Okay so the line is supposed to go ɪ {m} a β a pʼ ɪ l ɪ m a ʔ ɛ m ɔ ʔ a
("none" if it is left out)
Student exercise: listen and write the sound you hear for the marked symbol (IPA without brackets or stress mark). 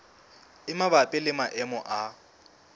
m